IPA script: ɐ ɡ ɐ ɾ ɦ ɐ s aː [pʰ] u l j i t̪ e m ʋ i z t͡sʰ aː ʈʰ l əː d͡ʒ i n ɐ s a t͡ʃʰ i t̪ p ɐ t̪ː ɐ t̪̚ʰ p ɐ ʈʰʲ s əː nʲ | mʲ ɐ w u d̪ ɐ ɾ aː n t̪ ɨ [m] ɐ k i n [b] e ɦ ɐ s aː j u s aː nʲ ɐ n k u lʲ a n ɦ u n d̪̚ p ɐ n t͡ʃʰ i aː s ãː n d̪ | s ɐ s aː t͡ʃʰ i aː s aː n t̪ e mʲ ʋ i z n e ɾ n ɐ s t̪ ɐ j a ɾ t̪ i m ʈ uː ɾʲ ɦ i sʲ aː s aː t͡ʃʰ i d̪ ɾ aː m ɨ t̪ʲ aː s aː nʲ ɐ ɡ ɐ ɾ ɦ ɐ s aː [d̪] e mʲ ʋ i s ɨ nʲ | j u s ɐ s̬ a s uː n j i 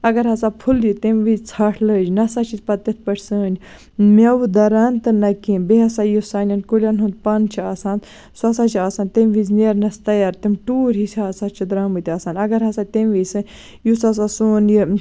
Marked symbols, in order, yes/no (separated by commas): yes, no, yes, no